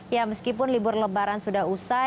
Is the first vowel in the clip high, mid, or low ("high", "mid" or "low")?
low